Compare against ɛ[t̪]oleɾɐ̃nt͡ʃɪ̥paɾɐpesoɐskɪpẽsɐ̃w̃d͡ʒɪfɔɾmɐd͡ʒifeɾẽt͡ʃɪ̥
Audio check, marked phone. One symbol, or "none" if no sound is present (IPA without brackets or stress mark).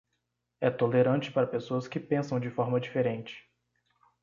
t̪